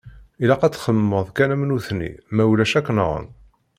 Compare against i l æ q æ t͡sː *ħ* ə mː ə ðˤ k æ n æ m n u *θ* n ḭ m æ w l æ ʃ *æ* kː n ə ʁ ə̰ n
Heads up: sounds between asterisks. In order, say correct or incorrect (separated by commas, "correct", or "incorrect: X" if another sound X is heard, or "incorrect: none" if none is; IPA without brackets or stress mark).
incorrect: χ, correct, correct